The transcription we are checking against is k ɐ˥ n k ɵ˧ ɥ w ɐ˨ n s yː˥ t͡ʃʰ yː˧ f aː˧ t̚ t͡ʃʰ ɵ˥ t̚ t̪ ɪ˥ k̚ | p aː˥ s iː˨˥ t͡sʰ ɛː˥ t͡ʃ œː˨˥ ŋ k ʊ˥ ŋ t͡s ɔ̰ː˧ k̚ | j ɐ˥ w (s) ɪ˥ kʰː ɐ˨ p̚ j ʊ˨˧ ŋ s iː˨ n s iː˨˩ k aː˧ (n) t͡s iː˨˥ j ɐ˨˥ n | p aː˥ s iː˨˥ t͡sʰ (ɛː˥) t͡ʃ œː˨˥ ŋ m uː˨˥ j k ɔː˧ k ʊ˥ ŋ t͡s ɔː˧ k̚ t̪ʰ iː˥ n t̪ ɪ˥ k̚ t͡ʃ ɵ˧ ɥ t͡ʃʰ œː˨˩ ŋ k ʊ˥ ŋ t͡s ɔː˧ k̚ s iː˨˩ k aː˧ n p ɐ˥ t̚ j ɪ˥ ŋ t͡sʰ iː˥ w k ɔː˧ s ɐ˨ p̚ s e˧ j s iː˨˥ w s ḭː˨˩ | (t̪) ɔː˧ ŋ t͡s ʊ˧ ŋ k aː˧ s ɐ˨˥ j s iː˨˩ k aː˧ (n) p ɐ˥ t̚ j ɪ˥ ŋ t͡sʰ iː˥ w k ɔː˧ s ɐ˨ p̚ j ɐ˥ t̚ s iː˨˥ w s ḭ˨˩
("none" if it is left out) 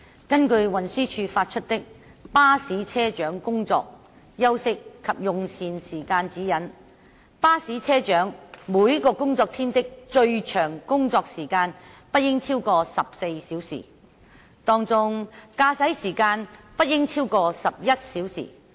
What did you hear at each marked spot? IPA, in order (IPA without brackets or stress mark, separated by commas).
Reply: s, n, ɛː˥, t̪, n